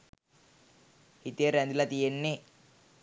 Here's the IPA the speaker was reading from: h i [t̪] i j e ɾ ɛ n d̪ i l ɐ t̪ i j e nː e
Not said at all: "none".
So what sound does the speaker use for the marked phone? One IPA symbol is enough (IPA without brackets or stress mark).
t̪